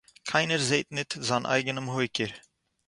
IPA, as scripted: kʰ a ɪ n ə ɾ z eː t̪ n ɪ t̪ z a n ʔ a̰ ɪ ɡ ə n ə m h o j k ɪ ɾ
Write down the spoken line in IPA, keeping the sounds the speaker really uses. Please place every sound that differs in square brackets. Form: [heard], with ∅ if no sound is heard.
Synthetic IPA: kʰ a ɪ n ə ɾ z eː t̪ n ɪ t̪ z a n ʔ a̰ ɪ ɡ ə n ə m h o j k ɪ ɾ